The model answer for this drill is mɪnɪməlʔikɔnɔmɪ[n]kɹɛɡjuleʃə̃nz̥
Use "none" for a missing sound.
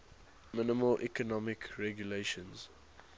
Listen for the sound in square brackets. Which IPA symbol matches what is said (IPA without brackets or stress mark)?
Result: none